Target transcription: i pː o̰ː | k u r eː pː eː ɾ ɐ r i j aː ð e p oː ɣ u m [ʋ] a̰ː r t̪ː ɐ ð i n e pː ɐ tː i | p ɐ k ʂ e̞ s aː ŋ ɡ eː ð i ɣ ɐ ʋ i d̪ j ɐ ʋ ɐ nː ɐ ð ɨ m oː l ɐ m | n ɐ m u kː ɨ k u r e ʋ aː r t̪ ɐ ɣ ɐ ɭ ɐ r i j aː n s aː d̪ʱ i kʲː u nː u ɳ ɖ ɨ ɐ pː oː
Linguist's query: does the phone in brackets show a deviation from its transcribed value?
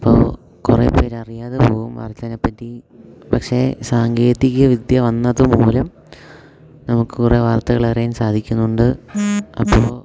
no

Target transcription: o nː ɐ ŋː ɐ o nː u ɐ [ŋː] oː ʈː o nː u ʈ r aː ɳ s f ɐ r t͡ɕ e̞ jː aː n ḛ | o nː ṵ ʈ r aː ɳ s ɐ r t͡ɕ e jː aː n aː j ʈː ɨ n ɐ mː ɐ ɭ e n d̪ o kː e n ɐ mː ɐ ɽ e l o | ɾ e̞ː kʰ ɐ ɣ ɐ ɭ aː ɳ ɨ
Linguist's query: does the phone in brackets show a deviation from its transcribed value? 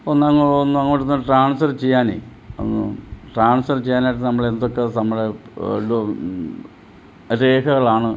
no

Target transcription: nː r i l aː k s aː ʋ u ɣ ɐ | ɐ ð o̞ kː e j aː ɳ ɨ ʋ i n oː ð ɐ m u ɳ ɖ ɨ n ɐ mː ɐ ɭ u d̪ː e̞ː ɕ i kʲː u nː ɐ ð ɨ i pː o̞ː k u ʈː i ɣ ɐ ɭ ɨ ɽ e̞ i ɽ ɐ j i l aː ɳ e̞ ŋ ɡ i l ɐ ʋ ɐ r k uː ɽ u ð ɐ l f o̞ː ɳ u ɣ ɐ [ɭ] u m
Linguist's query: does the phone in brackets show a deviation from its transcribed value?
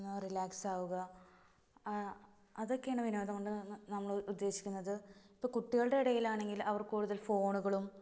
no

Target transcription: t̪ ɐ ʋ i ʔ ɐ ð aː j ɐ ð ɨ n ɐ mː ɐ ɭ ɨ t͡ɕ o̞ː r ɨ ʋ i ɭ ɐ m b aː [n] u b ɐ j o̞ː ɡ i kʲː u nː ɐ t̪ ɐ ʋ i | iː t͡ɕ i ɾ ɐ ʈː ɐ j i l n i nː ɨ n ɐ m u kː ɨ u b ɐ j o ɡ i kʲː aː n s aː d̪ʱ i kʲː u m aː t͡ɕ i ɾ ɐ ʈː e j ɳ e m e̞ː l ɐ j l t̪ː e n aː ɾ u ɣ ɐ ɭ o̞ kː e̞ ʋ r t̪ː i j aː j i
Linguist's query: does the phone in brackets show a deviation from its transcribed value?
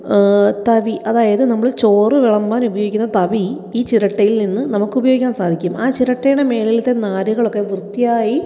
no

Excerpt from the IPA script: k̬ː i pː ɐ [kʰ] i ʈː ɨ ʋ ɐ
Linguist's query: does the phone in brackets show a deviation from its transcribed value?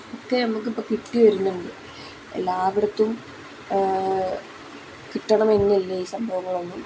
yes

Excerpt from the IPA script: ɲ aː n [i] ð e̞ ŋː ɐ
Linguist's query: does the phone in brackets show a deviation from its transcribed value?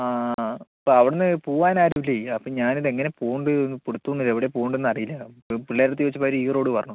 no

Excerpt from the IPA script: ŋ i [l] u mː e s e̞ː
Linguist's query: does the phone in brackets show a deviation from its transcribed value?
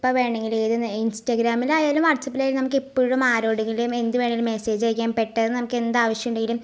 no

